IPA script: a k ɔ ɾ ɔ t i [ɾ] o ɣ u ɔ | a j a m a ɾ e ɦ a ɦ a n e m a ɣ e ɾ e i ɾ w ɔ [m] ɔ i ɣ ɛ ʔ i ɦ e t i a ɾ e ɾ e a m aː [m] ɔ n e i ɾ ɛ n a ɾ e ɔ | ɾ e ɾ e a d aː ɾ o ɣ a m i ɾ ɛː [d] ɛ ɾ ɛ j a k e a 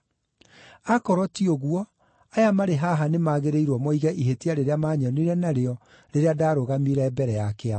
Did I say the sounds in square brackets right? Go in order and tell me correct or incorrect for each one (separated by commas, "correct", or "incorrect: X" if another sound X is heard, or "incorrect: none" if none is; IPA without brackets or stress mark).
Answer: incorrect: none, correct, incorrect: ɲ, incorrect: b